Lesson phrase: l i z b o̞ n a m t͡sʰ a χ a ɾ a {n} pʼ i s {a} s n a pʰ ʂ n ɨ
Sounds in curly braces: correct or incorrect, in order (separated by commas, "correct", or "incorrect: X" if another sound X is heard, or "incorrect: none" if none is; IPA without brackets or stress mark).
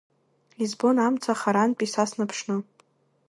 correct, correct